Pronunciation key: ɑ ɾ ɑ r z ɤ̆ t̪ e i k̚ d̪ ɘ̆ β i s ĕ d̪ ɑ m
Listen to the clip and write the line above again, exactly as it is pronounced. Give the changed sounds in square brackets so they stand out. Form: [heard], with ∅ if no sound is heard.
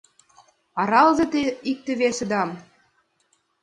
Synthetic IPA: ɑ ɾ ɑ [l] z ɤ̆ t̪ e i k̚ [t̪] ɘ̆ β [e] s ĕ d̪ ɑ m

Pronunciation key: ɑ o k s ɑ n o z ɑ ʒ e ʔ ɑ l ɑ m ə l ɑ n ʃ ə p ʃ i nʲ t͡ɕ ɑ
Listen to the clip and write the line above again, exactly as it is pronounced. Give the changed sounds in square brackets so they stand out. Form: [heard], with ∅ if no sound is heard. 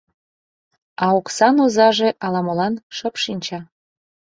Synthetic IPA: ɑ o k s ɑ n o z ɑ ʒ e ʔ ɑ l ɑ m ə l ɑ n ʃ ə p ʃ i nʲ t͡ɕ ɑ

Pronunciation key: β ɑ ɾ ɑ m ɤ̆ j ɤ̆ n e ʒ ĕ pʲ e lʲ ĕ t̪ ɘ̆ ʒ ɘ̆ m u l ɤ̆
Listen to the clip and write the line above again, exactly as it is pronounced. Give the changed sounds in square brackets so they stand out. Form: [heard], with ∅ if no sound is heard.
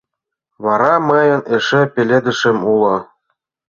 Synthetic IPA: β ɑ ɾ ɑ m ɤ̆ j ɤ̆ n e [ʃ] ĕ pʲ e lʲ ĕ [d̪] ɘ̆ [ʃ] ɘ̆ m u l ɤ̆

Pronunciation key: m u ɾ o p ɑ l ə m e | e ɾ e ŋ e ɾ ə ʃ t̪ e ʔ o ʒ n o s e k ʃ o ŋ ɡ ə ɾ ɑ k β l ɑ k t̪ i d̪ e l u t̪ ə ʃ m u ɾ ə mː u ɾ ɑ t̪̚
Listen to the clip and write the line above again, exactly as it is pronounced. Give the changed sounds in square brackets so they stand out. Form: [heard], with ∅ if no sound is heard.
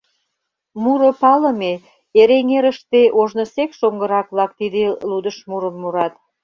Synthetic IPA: m u ɾ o p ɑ l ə m e | e ɾ e ŋ e ɾ ə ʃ t̪ e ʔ o ʒ n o s e k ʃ o ŋ ɡ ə ɾ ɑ k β l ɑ k t̪ i d̪ e l u [d̪] ə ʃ m u ɾ ə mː u ɾ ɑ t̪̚

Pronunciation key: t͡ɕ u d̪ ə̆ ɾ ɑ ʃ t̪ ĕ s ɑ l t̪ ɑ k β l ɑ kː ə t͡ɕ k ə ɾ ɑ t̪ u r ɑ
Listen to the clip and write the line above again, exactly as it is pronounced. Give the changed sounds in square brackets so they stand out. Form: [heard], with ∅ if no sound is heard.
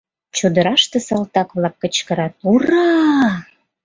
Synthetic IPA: t͡ɕ u d̪ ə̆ ɾ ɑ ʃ t̪ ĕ s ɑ l t̪ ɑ k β l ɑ kː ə t͡ɕ k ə ɾ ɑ t̪ u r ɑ

